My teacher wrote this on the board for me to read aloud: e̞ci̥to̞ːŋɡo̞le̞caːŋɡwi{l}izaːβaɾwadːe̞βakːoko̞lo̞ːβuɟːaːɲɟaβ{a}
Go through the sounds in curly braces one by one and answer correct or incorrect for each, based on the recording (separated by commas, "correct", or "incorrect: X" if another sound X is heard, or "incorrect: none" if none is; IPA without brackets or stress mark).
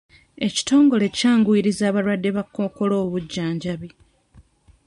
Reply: incorrect: ɾ, incorrect: i